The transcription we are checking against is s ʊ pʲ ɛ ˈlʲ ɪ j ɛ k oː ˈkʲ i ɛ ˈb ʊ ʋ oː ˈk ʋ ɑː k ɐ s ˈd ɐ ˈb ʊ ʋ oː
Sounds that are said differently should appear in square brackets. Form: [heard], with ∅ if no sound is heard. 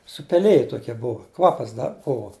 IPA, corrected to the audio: s ʊ pʲ ɛ ˈlʲ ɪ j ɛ [t] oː ˈkʲ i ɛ ˈb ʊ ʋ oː ˈk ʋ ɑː [p] ɐ s ˈd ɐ ˈb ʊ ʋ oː